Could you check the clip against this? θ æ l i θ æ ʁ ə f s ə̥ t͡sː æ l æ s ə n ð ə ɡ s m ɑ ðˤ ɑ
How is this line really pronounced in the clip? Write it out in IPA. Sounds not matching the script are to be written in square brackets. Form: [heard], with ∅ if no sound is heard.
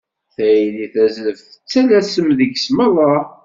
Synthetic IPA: θ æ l i θ æ [z] ə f [θ] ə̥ t͡sː æ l æ s ə [m] ð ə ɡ s m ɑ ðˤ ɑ